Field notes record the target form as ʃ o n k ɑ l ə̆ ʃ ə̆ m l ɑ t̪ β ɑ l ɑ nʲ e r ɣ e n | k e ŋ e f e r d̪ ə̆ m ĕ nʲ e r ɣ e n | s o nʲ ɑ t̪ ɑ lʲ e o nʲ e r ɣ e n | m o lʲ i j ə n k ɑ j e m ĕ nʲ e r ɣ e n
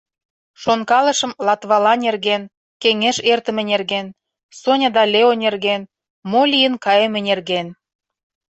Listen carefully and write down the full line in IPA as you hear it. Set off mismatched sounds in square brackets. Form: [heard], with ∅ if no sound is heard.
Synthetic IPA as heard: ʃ o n k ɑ l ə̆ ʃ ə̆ m l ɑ t̪ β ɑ l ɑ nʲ e r ɣ e n | k e ŋ e [ʃ] e r [t̪] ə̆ m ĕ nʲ e r ɣ e n | s o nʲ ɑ [d̪] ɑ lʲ e o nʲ e r ɣ e n | m o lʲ i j ə n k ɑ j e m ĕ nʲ e r ɣ e n

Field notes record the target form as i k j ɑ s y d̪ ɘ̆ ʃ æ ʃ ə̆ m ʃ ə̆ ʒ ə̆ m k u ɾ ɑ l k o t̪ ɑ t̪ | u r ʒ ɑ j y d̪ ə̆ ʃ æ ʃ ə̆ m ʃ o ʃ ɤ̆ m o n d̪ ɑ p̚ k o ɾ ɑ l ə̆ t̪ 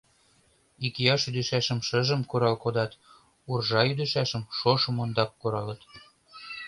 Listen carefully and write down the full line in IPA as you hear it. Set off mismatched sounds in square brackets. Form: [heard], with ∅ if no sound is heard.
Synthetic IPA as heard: i k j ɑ [ʃ] y d̪ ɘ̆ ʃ æ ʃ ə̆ m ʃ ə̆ ʒ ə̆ m k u ɾ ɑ l k o [d̪] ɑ t̪ | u r ʒ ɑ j y d̪ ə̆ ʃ æ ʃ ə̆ m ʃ o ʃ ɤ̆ m o n d̪ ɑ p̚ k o ɾ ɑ l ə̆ t̪

